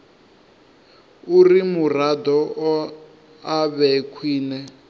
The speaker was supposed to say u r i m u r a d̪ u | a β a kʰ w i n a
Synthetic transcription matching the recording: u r i m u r a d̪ ɔ | a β ɛ kʰ w iː n ɛ